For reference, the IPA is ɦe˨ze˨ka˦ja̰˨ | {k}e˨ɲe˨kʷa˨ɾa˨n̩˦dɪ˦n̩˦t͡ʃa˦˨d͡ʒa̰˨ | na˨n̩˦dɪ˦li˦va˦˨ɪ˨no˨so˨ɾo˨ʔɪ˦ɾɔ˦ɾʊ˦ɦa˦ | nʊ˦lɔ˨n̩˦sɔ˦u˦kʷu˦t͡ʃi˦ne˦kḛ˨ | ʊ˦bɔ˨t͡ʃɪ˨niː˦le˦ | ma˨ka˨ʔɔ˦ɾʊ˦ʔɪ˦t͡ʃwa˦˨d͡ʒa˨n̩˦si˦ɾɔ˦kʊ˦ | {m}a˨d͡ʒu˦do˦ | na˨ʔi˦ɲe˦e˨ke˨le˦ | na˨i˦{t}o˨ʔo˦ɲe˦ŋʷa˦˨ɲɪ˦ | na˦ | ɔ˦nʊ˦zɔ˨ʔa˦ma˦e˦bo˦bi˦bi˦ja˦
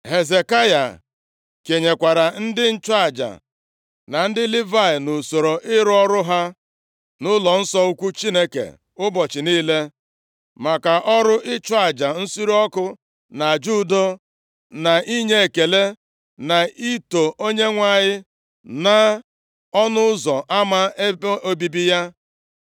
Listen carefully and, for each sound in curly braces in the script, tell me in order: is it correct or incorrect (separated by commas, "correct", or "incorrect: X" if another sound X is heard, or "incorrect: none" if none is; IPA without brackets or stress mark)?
correct, incorrect: n, correct